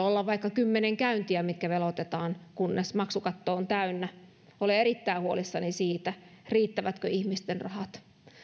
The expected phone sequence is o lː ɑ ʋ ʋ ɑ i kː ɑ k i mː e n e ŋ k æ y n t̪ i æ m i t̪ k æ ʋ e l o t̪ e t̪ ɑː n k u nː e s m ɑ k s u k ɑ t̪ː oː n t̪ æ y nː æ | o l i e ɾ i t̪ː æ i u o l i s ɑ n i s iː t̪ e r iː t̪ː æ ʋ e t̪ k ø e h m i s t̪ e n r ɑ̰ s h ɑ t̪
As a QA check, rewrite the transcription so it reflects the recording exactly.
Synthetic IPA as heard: o lː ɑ ʋ ʋ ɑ i kː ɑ k y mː e n e ŋ k æ y n t̪ i æ m i t̪ k æ ʋ e l o t̪ e t̪ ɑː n k u nː e s m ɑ k s u k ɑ t̪ː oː n t̪ æ y nː æ | o l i e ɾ i t̪ː æ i u o l i sː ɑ n i s iː t̪ æ r iː t̪ː æ ʋ æ t̪ k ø i h m i s t̪ e n r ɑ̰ h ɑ t̪

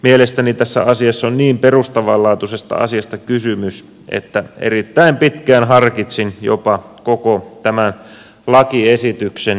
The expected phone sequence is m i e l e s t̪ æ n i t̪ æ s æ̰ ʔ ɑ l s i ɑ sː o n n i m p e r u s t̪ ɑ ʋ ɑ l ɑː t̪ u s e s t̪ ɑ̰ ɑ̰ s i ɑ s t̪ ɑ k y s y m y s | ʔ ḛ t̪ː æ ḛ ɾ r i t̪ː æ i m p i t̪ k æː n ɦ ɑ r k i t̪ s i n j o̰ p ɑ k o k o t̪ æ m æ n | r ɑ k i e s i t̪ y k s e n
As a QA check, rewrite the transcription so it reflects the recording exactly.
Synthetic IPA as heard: m i e l e s t̪ æ n i t̪ æ sː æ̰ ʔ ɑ s i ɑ sː o n n iː m p e r u s t̪ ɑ ʋ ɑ l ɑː t̪ u s e s t̪ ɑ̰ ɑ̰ s i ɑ s t̪ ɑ k y s y m y s | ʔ ḛ t̪ː æ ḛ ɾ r i t̪ː æ i m p i t̪ k æː n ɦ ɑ r k i t̪ s i n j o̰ p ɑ k o k o t̪ æ m æ n | l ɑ k i e s i t̪ y k s e n

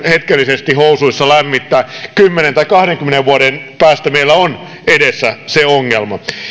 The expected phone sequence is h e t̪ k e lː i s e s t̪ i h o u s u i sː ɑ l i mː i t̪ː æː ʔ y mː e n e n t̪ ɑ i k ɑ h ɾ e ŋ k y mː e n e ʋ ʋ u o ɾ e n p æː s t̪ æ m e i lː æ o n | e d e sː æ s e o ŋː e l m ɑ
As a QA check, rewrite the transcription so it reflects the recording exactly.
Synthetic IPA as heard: h e t̪ k e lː i s e s t̪ i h o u s u i sː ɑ l æ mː i t̪ː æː k y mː e n e n t̪ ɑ i k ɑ h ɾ e ŋ k y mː e n e ʋ ʋ u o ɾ e n p æː s t̪ æ m e i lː æ o n | e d e sː æ s e o ŋː e l m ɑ

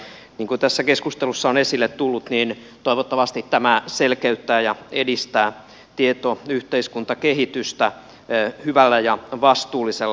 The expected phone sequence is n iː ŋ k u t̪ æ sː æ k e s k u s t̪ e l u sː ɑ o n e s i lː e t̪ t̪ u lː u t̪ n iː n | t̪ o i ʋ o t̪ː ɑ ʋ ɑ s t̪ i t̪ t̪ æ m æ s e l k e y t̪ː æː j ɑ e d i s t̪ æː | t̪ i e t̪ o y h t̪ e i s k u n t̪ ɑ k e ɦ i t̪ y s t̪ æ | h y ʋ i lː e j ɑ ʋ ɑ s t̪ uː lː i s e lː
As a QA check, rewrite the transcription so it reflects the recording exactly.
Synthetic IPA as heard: n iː ŋ k u t̪ æ sː æ k e s k u s t̪ e l u sː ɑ o n e s i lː e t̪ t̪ u lː u t̪ n iː n | t̪ o i ʋ o t̪ː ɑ ʋ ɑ s t̪ i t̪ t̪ æ m æ s e l k e y t̪ː æː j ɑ e d i s t̪ æː | t̪ i e t̪ o y h t̪ e i s k u n t̪ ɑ k e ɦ i t̪ y s t̪ æ | h y ʋ æ lː æ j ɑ ʋ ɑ s t̪ uː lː i s e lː

